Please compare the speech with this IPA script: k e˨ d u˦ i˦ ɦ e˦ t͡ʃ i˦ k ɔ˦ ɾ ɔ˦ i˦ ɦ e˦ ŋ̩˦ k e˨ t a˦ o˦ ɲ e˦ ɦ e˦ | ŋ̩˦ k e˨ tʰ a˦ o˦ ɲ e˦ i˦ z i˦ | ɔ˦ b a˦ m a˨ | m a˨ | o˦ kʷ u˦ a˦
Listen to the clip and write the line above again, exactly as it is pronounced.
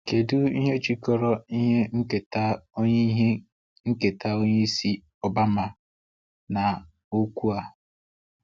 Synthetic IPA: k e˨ d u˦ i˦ ɦ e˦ t͡ʃ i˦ k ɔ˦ ɾ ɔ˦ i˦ ɦ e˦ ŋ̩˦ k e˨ t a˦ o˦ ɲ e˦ ɦ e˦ | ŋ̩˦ k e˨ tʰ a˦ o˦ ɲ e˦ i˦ s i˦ | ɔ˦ b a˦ m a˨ | n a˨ | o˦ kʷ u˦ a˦